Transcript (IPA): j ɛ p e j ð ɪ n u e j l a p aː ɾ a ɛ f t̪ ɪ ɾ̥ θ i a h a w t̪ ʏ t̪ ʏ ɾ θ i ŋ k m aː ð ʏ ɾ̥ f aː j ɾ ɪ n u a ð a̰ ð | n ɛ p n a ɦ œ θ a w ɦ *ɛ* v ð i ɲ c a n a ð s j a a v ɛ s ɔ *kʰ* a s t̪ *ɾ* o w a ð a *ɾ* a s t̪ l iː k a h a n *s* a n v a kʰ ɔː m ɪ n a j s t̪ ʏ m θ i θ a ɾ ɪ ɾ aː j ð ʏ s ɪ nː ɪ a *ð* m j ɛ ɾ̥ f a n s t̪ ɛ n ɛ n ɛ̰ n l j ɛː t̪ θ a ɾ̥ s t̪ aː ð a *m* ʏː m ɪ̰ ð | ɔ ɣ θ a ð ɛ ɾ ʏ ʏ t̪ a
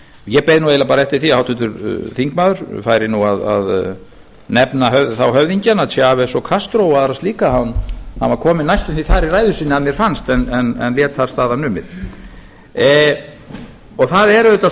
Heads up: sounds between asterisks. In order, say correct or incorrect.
incorrect: œ, correct, correct, correct, incorrect: h, correct, incorrect: n

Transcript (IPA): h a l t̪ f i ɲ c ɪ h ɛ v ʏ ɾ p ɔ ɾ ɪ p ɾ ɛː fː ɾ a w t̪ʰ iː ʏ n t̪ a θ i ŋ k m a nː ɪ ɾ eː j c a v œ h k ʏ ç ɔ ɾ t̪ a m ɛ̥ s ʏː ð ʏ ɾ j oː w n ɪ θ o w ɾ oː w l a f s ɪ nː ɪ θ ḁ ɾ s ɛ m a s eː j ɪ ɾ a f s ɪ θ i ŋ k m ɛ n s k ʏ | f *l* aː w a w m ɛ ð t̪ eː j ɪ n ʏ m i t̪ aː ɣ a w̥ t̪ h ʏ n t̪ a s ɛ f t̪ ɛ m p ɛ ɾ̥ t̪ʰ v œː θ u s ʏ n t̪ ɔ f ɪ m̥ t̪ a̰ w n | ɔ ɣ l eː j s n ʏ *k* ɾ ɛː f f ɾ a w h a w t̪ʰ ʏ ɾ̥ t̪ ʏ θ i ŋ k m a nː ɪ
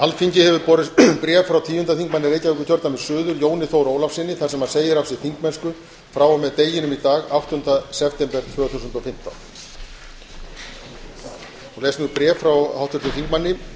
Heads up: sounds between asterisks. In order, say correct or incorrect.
incorrect: ɾ, incorrect: p

